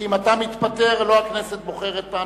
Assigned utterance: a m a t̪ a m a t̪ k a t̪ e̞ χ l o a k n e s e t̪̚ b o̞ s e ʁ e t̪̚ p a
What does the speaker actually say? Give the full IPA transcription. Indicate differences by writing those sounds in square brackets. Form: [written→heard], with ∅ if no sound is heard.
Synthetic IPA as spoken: [a→i] m a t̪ a m [a→i] t̪ [k→p] a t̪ e̞ [χ→ʁ] l o a k n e s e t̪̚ b o̞ [s→χ] e ʁ e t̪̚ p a